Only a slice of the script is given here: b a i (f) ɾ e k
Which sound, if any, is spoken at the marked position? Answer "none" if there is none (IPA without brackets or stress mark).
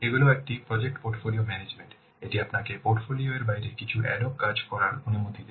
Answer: none